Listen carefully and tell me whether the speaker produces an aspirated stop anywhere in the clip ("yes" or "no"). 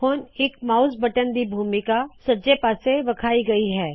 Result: yes